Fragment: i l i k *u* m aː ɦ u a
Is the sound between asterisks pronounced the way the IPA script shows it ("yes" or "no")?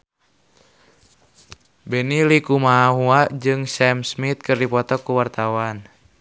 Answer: yes